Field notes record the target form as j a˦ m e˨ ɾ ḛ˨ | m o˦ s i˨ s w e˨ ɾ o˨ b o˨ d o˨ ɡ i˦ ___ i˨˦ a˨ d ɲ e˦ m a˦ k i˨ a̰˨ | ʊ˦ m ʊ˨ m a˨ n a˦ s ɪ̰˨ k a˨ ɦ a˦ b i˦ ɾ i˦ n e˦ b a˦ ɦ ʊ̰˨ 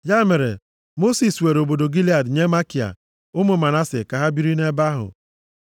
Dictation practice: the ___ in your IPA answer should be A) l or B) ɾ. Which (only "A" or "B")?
A